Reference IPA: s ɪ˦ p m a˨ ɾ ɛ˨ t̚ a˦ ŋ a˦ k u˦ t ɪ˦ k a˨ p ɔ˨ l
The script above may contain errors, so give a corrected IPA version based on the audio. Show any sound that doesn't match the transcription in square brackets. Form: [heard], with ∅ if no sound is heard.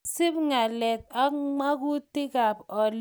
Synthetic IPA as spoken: s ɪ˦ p [ŋ] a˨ [l] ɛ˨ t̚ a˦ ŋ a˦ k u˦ t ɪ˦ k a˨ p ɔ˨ l